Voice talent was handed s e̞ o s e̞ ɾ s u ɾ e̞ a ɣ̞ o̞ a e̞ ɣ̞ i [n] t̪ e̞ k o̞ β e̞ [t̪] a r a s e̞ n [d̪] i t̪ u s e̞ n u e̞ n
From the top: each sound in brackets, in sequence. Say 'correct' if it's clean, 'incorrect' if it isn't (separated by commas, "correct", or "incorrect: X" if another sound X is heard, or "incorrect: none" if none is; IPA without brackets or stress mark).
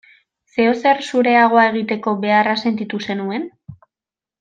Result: incorrect: none, incorrect: none, incorrect: t̪